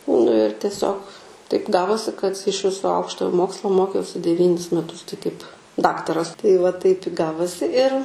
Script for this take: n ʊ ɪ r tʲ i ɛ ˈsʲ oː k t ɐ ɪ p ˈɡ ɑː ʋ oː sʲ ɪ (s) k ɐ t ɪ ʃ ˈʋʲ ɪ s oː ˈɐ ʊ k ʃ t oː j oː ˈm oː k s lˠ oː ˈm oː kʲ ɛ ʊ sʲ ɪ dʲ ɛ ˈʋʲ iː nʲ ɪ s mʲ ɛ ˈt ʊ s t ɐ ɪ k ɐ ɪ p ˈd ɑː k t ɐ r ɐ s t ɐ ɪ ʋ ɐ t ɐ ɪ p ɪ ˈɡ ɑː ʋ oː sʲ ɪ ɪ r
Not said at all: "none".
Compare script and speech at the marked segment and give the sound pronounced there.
none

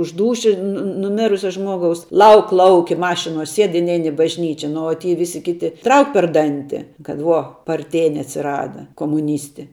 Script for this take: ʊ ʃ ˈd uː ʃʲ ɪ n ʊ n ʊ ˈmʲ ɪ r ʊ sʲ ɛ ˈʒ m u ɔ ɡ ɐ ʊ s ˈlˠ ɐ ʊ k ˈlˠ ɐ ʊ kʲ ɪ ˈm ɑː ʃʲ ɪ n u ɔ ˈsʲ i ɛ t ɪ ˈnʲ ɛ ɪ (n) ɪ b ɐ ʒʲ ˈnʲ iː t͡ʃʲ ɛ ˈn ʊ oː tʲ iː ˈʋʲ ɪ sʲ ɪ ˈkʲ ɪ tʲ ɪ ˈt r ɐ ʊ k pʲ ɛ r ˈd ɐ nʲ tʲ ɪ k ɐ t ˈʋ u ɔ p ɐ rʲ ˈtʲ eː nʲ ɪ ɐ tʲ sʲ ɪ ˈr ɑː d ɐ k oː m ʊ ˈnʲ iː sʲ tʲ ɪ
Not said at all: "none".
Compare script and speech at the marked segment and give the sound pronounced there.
n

